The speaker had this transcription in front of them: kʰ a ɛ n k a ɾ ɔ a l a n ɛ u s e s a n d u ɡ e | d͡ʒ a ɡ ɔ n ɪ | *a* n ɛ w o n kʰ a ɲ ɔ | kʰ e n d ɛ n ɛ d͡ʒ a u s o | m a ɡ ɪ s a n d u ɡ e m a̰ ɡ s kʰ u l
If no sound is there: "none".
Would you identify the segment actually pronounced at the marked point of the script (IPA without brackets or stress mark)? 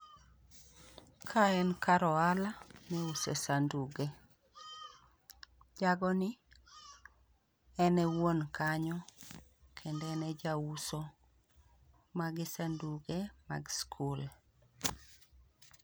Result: ɛ